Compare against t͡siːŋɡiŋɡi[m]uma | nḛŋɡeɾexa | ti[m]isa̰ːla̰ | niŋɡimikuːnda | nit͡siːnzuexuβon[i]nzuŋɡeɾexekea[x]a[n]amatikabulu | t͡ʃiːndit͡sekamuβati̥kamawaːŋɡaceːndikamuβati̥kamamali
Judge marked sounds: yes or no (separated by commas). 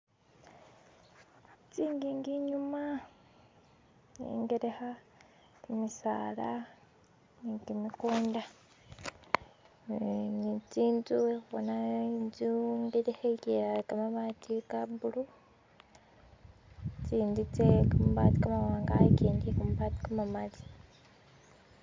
no, yes, no, no, no